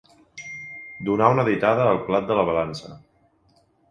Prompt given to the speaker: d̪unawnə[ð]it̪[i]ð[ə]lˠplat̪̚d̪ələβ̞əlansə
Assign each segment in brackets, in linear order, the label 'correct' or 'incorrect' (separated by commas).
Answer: correct, incorrect, incorrect